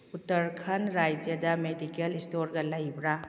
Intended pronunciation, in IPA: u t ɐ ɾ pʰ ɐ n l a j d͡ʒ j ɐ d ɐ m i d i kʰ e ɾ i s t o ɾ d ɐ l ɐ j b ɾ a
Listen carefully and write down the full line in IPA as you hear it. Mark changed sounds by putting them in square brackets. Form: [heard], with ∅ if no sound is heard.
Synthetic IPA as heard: u t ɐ ɾ [kʰ] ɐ n [ɾ] a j d͡ʒ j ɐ d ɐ m [e] d i [k] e [l] i s t o ɾ [ɡ] ɐ l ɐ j b ɾ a